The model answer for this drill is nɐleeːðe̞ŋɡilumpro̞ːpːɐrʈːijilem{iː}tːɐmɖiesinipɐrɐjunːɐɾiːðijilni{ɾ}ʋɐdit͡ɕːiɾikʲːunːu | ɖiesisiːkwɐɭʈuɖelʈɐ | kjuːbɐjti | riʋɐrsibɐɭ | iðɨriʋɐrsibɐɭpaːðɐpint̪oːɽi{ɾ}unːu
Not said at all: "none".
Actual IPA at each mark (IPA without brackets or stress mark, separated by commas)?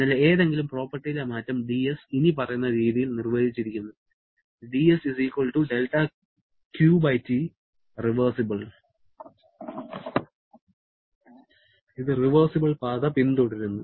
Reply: aː, r, ɾ